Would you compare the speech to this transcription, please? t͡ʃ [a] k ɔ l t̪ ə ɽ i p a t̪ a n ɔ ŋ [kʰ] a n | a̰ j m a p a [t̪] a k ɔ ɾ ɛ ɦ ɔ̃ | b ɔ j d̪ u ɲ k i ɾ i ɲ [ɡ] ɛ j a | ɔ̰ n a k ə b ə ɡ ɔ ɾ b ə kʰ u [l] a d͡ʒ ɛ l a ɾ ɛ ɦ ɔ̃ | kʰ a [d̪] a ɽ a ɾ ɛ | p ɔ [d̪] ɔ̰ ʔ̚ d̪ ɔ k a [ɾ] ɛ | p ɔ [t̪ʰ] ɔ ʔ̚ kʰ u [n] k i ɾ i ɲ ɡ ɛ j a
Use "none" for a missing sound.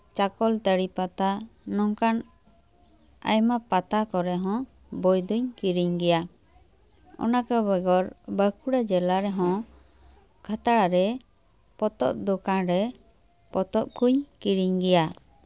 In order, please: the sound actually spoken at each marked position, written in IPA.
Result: a, k, t̪, ɡ, ɽ, t̪, t̪, ɾ, t̪, ɲ

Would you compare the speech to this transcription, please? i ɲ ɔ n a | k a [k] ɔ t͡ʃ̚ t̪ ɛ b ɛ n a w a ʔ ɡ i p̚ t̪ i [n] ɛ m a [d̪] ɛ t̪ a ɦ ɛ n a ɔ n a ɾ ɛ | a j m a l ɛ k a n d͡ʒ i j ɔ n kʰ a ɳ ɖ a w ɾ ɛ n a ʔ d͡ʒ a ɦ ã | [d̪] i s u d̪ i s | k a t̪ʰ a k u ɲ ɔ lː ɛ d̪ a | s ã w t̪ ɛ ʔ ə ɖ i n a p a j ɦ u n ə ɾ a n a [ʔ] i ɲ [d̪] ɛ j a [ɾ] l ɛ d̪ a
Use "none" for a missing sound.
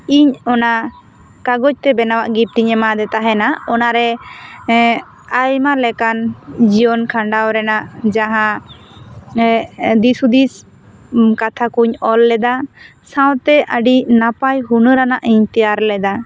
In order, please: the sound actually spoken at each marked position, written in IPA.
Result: ɡ, ɲ, d̪, d̪, ʔ, t̪, ɾ

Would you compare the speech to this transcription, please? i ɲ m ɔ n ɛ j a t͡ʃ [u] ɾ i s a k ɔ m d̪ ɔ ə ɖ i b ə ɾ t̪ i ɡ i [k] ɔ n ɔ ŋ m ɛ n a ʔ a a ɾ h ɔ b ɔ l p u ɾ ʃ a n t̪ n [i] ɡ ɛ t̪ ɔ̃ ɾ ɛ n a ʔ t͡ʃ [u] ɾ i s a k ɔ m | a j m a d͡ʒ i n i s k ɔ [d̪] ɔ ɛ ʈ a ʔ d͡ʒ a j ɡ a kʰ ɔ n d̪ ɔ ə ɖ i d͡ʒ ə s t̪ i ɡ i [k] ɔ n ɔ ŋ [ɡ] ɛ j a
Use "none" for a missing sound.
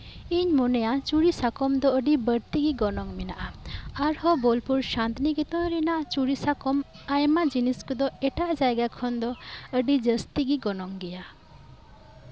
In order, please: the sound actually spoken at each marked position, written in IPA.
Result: u, ɡ, i, u, d̪, ɡ, ɡ

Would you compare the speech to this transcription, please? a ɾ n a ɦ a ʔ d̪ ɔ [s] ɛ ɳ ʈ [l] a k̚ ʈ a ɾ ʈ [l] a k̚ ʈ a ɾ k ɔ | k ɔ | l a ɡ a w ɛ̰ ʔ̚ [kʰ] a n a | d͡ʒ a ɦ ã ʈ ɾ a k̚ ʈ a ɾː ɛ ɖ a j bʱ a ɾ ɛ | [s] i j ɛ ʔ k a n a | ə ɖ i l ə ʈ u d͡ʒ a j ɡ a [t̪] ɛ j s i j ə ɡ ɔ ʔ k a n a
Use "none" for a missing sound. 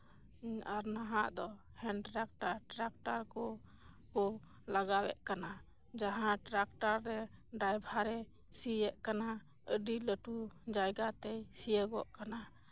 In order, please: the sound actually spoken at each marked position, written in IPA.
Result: h, ɾ, ɾ, k, s, t̪

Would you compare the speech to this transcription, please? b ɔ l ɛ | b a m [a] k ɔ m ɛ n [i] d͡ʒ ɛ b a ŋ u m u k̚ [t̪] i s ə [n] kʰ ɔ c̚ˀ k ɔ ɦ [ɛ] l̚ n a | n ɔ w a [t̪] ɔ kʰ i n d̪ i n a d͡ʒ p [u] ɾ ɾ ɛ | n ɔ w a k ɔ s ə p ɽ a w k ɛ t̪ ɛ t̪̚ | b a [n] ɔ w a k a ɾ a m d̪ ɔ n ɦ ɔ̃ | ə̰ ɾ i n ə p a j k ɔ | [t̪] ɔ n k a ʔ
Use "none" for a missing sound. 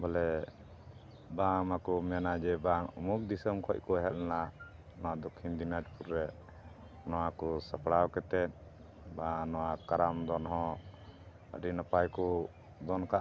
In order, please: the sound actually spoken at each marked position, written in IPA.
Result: a, a, d̪, m, ɛ, d̪, u, n, d̪

